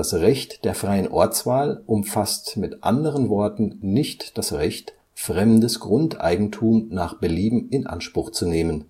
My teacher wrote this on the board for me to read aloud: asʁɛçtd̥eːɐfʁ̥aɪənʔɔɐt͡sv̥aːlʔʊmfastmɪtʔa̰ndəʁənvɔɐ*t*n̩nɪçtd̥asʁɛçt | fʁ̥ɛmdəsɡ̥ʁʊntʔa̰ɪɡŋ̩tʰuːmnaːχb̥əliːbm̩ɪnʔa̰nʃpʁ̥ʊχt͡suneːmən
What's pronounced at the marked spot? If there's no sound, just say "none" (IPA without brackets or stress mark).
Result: t